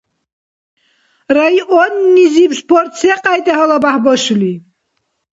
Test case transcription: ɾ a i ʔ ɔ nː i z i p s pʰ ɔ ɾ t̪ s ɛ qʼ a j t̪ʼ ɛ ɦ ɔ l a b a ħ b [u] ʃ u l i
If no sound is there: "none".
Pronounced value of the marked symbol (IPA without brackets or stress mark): ɔ